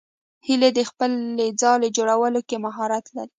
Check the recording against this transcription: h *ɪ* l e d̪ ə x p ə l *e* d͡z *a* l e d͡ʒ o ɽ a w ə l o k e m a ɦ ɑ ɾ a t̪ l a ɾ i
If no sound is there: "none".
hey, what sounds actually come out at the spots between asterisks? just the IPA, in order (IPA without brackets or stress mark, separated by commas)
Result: i, e, ɑ